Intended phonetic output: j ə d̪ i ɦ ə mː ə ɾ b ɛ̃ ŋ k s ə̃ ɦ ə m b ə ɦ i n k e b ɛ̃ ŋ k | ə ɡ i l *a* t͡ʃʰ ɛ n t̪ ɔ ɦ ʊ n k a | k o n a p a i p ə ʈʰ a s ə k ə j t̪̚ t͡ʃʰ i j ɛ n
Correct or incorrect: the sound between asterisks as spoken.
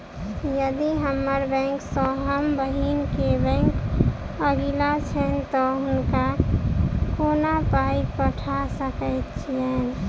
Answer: correct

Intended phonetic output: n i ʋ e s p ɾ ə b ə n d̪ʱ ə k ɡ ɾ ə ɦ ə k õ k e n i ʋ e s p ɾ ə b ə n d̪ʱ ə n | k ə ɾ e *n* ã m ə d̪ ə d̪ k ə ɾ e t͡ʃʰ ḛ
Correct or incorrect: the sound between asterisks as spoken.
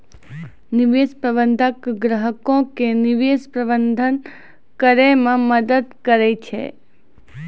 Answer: incorrect: m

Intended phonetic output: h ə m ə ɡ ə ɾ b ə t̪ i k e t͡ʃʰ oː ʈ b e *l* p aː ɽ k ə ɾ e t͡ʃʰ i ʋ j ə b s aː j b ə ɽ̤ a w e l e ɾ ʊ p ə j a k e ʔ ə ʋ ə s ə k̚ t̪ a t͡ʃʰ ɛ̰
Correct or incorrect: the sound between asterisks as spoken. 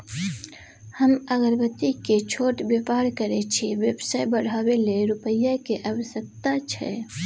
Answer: incorrect: none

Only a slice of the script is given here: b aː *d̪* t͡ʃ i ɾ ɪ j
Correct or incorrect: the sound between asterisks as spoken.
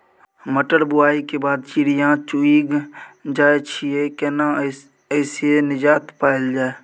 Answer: correct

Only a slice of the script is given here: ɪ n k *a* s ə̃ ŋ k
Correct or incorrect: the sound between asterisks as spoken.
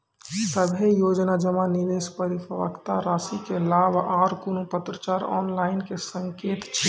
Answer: incorrect: e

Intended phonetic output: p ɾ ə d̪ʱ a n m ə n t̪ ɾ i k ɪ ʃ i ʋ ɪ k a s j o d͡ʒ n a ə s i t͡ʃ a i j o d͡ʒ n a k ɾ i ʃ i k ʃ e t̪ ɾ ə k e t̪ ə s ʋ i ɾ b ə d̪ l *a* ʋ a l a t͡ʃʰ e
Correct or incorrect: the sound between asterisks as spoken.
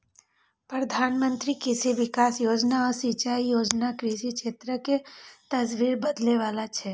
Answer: incorrect: e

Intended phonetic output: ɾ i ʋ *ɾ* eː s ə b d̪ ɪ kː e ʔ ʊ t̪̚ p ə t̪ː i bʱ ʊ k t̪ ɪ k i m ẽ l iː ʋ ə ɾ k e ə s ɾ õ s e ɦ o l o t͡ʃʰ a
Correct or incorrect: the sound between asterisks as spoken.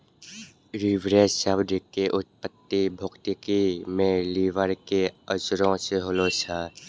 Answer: correct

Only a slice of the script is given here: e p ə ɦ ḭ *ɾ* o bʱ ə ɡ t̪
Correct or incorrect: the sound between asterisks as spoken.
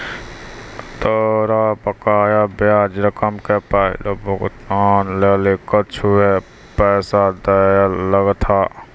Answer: incorrect: l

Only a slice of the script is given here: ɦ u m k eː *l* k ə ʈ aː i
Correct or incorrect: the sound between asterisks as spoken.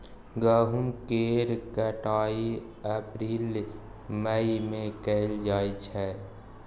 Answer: incorrect: ɾ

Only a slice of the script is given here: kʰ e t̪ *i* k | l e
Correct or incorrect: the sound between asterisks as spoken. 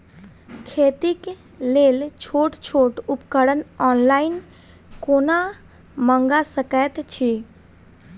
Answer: correct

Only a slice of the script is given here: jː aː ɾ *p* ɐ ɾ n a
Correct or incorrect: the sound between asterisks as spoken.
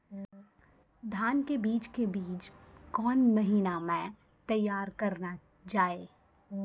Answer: incorrect: k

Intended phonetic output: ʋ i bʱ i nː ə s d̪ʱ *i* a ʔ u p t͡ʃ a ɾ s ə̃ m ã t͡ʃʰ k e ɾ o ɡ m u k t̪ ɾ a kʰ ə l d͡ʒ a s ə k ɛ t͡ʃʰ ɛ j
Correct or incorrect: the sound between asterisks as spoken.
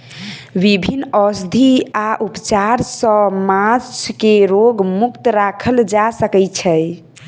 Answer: correct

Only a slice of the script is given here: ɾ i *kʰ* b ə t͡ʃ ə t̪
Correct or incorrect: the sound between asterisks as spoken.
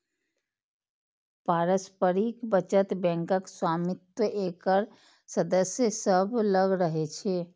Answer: incorrect: k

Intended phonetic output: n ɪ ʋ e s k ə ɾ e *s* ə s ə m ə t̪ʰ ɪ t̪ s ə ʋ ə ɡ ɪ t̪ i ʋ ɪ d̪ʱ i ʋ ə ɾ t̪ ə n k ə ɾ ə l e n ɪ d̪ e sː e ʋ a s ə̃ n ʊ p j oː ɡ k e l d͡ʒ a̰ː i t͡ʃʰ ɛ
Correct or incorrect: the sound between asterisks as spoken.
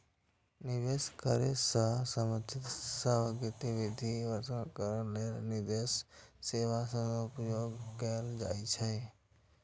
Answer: correct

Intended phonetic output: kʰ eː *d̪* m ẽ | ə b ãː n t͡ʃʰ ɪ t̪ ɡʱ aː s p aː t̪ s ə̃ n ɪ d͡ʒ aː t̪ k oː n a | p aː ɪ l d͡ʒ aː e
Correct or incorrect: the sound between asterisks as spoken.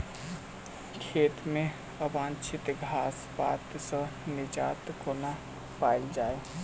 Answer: incorrect: t̪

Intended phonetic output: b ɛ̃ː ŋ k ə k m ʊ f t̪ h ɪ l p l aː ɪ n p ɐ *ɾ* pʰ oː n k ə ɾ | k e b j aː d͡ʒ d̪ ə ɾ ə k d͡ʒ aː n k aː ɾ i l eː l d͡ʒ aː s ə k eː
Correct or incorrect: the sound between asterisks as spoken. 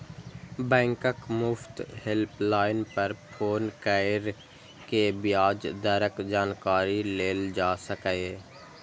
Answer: correct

